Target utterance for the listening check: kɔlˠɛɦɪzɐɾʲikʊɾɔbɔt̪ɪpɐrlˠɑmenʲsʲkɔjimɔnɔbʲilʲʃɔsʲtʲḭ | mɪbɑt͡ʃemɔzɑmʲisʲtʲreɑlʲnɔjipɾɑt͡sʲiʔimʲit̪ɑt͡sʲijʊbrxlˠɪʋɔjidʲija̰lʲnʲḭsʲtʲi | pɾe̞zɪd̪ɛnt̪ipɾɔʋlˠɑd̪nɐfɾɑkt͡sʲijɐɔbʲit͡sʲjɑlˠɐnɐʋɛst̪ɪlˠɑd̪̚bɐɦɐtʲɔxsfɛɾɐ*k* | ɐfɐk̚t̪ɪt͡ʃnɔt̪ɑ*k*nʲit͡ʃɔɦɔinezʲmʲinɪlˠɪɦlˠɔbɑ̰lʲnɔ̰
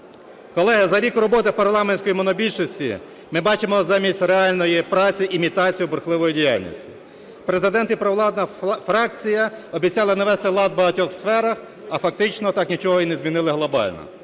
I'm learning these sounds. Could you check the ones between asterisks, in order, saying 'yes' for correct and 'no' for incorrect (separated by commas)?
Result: no, yes